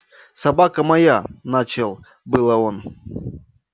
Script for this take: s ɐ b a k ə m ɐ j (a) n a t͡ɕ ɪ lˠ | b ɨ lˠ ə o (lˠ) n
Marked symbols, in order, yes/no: yes, no

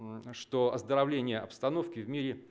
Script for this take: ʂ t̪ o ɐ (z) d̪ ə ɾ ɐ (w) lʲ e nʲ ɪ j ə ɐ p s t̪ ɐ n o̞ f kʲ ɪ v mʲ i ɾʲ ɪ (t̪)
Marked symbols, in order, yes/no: yes, no, no

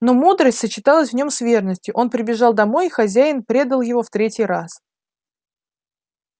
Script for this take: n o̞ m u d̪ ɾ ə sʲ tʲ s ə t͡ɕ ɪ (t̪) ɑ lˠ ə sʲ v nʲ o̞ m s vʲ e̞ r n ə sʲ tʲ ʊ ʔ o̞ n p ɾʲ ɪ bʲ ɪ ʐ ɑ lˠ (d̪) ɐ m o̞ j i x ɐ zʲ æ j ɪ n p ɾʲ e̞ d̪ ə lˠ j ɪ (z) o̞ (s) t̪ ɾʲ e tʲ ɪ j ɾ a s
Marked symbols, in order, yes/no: yes, yes, no, no

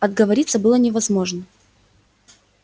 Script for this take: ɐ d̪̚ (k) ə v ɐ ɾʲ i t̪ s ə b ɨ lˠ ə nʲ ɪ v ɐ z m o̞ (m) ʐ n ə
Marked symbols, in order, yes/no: no, no

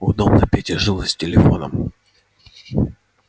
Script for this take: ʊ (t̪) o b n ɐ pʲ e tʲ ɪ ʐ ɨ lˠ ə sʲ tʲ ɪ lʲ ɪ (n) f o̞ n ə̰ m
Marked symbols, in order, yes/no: no, no

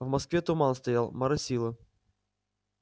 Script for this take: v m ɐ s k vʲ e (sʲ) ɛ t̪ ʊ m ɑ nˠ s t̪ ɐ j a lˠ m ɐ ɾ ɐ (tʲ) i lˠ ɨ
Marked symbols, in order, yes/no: no, no

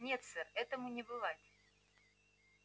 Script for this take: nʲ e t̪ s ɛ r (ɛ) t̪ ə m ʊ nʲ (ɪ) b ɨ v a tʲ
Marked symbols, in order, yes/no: yes, yes

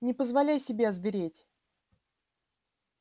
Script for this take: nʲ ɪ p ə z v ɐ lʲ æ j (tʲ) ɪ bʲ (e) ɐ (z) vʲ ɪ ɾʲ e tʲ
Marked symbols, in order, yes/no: no, yes, yes

